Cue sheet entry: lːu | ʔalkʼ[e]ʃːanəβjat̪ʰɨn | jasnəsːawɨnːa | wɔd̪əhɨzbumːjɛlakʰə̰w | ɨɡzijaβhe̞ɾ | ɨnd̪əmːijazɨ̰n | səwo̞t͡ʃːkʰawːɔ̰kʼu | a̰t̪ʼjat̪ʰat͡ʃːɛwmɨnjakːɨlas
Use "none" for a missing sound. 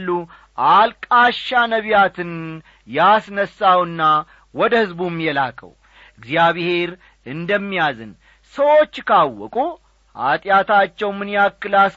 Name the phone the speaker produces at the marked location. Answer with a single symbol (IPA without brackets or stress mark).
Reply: a